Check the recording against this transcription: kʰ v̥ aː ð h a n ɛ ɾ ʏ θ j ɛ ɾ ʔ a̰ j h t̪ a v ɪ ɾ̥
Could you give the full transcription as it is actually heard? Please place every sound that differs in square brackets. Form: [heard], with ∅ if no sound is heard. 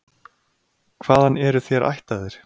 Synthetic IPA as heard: kʰ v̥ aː ð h a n ɛ ɾ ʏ θ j ɛ ɾ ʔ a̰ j h t̪ a [ð] ɪ ɾ̥